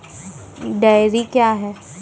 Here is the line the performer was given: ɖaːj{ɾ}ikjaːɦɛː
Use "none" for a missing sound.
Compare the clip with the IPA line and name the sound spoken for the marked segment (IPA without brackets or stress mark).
ɾ